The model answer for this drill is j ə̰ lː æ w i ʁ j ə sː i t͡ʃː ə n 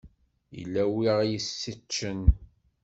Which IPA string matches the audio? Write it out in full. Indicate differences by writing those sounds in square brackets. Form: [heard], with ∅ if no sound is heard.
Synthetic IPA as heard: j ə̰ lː æ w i ʁ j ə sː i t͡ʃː ə n